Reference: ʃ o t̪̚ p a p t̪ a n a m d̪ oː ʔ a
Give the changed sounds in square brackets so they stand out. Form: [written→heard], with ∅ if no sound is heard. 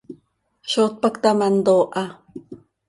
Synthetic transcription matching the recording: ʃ o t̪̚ p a [p→k] t̪ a [n→m] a [m→n] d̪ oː ʔ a